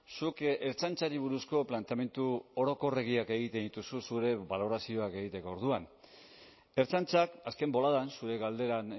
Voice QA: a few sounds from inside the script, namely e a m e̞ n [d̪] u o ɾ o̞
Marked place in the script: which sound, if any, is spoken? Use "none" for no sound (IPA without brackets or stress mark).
t̪